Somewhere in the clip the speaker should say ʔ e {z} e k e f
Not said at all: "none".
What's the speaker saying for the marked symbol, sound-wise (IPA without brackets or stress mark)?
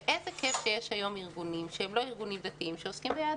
z